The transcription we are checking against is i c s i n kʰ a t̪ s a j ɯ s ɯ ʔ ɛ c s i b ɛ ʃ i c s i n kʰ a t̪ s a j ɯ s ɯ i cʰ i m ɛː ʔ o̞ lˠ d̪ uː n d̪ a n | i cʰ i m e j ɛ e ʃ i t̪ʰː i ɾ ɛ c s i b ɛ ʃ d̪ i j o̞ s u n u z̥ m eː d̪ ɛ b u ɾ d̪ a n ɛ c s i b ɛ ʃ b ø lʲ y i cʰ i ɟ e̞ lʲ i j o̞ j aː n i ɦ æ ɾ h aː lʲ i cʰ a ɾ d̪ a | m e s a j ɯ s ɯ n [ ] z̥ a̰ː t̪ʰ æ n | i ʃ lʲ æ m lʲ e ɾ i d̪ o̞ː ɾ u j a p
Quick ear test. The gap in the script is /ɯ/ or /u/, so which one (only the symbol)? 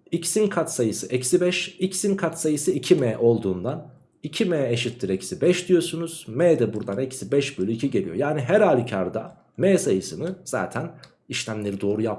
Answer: ɯ